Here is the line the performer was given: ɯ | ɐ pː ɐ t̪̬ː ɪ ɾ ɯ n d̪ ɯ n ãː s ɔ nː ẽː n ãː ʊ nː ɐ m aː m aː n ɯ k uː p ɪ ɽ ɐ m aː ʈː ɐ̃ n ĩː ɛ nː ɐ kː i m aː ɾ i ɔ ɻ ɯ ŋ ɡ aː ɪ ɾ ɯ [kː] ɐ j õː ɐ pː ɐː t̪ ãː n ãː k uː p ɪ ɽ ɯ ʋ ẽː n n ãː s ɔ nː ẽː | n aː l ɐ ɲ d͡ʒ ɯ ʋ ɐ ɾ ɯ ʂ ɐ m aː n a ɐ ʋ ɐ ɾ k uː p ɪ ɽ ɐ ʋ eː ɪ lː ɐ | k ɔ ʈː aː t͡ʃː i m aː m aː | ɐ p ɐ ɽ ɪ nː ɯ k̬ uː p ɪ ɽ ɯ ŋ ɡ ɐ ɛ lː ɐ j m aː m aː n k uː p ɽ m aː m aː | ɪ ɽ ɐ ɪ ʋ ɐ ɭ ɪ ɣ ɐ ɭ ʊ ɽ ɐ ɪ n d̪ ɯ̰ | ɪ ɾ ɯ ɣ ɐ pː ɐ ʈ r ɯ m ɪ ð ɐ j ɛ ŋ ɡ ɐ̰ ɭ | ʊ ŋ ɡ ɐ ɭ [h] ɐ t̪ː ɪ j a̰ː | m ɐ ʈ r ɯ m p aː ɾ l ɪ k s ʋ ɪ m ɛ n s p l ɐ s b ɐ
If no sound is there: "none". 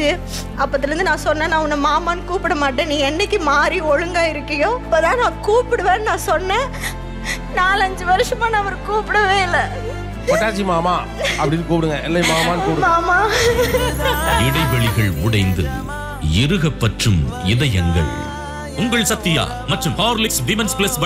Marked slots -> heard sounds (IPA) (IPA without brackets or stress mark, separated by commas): kː, s